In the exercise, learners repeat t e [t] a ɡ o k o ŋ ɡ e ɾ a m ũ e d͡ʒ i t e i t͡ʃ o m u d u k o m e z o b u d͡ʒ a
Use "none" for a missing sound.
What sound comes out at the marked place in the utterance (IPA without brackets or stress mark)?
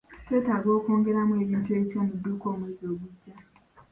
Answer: t